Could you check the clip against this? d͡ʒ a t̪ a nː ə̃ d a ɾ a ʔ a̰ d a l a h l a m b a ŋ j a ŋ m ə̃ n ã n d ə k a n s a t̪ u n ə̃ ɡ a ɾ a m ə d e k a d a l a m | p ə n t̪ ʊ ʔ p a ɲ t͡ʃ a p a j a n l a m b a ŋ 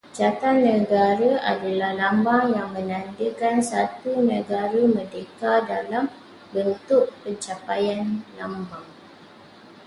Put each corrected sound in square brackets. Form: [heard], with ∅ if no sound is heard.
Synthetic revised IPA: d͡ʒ a t̪ a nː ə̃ [ɡ] a ɾ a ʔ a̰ d a l a h l a m b a ŋ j a ŋ m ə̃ n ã n d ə k a n s a t̪ u n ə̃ ɡ a ɾ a m ə d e k a d a l a m | [b] ə n t̪ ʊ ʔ p [ə] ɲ t͡ʃ a p a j a n l a m b a ŋ

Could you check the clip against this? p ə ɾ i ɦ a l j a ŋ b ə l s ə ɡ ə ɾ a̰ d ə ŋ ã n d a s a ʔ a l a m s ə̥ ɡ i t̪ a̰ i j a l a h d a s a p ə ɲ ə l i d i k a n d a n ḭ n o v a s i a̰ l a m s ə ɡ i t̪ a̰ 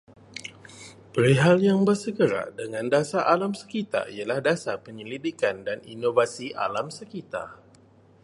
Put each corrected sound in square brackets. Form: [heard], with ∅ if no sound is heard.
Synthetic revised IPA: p ə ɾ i ɦ a l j a ŋ b ə [r] s ə ɡ ə ɾ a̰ d ə ŋ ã n d a s a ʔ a l a m s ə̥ [k] i t̪ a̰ i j a l a h d a s a p ə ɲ ə l i d i k a n d a n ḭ n o v a s i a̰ l a m s ə [k] i t̪ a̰

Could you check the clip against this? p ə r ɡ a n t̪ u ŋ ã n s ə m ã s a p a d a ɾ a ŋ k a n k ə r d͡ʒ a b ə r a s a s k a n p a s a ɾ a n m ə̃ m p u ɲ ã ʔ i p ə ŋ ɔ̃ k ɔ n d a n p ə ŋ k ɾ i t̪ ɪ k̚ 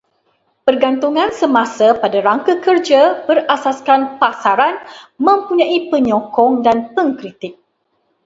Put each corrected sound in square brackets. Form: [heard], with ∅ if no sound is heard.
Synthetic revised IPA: p ə r ɡ a n t̪ u ŋ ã n s ə m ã s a p a d a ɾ a ŋ k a [∅] k ə r d͡ʒ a b ə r a s a s k a n p a s a ɾ a n m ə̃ m p u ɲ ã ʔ i p ə [ɲ] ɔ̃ k ɔ [ŋ] d a n p ə ŋ k ɾ i t̪ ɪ k̚

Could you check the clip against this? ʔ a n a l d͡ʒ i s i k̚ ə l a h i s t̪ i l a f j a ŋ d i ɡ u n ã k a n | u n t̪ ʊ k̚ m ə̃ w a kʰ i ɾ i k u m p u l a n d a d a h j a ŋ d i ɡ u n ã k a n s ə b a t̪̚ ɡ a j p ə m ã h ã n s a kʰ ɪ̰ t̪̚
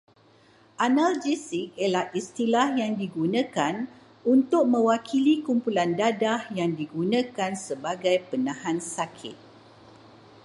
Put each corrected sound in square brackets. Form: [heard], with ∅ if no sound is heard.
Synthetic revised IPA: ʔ a n a l d͡ʒ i s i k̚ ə l a h i s t̪ i l a [h] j a ŋ d i ɡ u n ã k a n | u n t̪ ʊ k̚ m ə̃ w a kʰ i [l] i k u m p u l a n d a d a h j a ŋ d i ɡ u n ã k a n s ə b a [∅] ɡ a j p ə [n] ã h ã n s a kʰ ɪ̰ t̪̚

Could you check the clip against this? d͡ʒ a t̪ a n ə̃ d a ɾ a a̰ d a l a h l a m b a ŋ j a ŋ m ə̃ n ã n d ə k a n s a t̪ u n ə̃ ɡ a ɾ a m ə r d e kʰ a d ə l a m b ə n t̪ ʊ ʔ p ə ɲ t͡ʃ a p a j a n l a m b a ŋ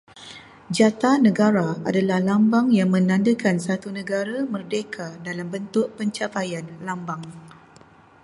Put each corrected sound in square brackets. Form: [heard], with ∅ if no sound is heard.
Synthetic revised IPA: d͡ʒ a t̪ a n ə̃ [ɡ] a ɾ a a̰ d a l a h l a m b a ŋ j a ŋ m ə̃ n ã n d ə k a n s a t̪ u n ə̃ ɡ a ɾ a m ə r d e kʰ a d [a] l a m b ə n t̪ ʊ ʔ p ə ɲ t͡ʃ a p a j a n l a m b a ŋ

